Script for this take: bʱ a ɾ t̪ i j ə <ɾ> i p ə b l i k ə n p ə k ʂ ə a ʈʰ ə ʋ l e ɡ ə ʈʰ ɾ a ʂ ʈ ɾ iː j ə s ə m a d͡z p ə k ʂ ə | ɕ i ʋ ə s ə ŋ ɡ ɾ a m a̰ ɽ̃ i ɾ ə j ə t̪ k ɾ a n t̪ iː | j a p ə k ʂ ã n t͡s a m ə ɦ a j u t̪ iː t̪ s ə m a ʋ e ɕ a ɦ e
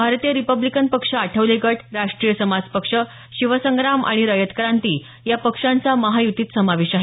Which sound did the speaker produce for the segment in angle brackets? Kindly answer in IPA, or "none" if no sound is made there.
ɾ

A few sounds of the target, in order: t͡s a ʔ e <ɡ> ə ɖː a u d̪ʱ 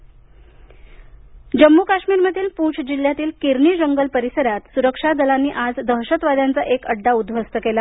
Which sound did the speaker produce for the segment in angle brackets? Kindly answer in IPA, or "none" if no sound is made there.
k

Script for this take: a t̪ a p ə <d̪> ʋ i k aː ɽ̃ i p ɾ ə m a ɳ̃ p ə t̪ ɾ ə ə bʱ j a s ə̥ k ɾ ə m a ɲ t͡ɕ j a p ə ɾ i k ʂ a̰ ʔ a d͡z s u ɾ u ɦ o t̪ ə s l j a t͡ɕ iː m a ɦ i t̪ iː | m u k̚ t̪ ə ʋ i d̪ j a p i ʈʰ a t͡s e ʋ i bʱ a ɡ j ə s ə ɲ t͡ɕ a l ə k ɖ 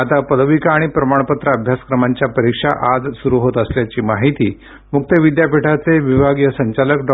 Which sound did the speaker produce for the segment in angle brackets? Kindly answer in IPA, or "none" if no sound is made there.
d̪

